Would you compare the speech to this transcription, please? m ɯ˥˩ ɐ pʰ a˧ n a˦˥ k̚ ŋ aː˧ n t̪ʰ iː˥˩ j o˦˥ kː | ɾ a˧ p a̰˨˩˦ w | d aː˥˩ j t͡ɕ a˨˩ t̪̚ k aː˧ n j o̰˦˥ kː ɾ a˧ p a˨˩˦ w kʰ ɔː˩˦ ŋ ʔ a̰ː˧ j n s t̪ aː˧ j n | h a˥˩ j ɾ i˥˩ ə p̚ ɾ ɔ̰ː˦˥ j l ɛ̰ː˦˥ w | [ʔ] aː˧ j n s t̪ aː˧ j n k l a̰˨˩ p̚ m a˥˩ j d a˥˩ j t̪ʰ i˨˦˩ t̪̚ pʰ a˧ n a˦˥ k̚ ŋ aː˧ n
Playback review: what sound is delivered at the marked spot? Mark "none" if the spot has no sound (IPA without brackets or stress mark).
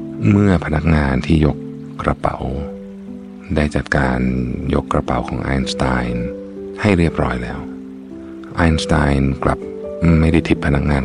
ʔ